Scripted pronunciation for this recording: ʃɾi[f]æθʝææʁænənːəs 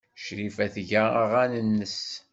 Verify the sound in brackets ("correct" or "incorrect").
correct